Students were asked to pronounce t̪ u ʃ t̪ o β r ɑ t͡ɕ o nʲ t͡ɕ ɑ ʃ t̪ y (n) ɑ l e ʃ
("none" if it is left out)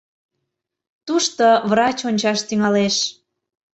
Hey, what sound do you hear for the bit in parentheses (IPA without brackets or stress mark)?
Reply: ŋ